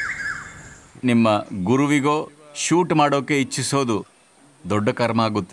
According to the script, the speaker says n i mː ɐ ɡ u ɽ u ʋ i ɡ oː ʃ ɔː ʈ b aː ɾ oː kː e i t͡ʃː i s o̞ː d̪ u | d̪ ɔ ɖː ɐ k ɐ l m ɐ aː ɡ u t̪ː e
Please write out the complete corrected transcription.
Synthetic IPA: n i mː ɐ ɡ u ɾ u ʋ i ɡ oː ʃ uː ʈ m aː ɽ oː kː e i t͡ʃː i s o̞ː d̪ u | d̪ ɔ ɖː ɐ k ɐ ɾ m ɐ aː ɡ u t̪ː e